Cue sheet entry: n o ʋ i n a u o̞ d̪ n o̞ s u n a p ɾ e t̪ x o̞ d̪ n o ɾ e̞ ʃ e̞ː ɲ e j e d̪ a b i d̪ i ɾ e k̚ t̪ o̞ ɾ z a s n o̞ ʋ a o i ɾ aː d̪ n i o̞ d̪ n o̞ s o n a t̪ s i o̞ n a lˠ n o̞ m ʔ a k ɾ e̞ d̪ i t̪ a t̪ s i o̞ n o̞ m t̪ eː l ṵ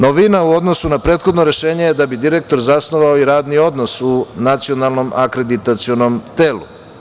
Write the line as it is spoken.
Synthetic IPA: n o ʋ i n a u o̞ d̪ n o̞ s u n a p ɾ e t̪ x o̞ d̪ n o ɾ e̞ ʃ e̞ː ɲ e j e d̪ a b i d̪ i ɾ e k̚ t̪ o̞ ɾ z a s n o̞ ʋ a o i ɾ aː d̪ n i o̞ d̪ n o̞ s u n a t̪ s i o̞ n a lˠ n o̞ m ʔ a k ɾ e̞ d̪ i t̪ a t̪ s i o̞ n o̞ m t̪ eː l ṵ